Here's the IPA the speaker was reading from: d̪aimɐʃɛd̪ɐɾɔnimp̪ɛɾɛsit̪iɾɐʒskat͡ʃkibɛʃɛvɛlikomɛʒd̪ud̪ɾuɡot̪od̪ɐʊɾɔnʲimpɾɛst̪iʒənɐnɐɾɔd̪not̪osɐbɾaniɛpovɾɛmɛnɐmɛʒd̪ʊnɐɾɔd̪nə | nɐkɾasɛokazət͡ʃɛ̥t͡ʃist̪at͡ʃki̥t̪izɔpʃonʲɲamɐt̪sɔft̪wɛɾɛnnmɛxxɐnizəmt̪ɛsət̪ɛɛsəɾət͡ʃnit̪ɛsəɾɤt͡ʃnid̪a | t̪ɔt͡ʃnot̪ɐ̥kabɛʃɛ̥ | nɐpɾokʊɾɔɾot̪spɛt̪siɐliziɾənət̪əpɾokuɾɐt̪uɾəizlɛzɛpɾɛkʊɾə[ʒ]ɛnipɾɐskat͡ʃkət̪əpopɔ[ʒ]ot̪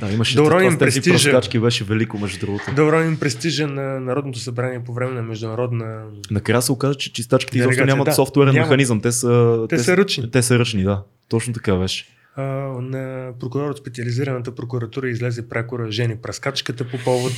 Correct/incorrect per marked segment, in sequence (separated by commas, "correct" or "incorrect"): correct, incorrect